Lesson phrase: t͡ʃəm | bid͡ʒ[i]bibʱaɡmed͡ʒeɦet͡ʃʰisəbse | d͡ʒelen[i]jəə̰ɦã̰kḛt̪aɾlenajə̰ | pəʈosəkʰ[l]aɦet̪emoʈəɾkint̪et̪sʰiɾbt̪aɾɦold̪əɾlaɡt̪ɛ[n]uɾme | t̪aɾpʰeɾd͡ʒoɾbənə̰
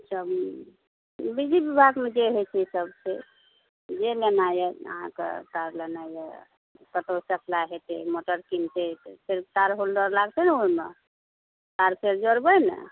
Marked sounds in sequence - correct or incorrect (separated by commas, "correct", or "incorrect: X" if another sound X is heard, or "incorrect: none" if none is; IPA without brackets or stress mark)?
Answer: correct, incorrect: a, correct, correct